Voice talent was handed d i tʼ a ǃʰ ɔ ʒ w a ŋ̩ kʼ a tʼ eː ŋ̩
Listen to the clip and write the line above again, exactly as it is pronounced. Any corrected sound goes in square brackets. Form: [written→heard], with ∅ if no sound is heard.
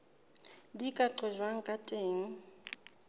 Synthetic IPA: d i [tʼ→kʼ] a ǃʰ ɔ ʒ w a ŋ̩ kʼ a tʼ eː ŋ̩